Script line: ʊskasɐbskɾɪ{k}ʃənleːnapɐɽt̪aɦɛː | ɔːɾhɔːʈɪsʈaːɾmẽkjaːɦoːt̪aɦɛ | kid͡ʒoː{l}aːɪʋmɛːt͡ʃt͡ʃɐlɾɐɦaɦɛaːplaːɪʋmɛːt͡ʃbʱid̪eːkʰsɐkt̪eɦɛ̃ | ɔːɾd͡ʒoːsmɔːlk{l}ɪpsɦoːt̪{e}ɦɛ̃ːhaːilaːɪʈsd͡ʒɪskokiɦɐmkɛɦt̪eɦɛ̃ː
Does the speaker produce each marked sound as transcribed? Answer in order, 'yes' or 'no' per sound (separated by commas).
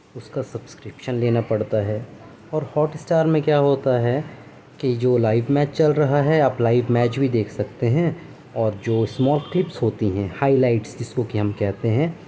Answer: no, yes, yes, no